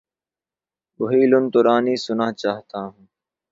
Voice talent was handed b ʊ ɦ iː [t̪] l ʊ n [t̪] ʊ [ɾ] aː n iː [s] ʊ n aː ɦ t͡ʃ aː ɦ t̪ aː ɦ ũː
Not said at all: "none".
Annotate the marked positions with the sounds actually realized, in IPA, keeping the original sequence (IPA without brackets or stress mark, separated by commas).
none, t̪, ɾ, s